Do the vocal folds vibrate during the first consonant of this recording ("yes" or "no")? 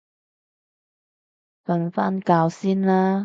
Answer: no